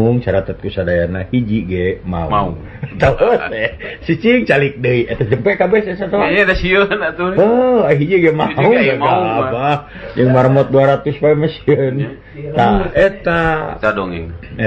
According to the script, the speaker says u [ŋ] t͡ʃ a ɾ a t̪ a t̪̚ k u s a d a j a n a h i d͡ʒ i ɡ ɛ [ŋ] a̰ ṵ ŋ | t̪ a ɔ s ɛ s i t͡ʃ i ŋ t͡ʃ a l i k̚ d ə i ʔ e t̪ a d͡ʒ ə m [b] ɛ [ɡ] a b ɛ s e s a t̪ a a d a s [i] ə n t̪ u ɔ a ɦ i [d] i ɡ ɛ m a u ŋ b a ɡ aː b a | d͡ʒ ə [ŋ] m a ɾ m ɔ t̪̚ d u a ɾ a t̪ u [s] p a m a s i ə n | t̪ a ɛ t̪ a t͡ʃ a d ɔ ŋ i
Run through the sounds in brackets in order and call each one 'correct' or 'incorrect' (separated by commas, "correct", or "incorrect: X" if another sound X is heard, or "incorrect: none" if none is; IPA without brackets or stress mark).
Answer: correct, incorrect: m, incorrect: p, incorrect: k, correct, incorrect: d͡ʒ, correct, correct